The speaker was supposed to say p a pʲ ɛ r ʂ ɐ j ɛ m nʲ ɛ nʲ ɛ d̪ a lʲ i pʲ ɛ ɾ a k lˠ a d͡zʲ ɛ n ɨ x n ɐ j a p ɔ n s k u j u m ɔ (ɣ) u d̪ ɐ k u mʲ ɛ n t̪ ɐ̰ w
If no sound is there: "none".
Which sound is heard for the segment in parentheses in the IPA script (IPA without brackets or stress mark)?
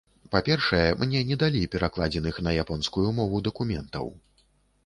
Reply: v